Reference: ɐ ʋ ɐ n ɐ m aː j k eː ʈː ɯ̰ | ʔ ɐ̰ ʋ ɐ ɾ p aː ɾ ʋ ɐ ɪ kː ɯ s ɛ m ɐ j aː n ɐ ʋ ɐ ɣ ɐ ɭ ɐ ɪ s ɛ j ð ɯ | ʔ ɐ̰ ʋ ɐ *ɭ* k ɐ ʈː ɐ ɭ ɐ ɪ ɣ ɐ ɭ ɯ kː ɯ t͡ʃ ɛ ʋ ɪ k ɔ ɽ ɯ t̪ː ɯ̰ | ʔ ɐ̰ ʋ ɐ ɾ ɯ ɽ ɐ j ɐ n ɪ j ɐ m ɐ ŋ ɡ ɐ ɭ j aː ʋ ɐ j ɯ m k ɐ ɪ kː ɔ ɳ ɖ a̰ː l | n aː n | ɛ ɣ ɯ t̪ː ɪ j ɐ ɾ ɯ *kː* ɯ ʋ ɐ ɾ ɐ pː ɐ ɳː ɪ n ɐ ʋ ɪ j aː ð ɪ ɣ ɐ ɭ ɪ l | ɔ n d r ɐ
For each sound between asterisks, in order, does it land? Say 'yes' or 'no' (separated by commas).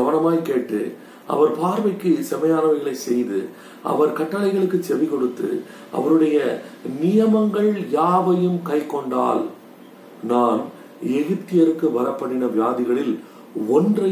no, yes